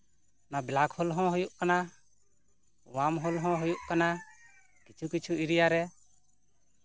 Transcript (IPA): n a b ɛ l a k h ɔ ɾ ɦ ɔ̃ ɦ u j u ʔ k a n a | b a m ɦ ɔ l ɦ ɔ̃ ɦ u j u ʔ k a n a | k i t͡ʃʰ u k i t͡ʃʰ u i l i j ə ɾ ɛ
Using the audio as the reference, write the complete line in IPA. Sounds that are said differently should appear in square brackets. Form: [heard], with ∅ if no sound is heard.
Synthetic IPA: n a b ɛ l a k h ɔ [l] ɦ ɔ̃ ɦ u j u ʔ k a n a | [w] a m ɦ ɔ l ɦ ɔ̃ ɦ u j u ʔ k a n a | k i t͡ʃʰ u k i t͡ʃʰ u i [ɾ] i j [a] ɾ ɛ